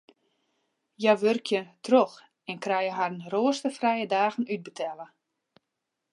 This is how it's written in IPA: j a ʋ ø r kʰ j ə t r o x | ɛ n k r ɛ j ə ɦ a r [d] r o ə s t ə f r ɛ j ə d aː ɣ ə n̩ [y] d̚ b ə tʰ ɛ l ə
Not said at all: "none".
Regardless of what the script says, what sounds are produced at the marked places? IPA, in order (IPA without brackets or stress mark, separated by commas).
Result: n, y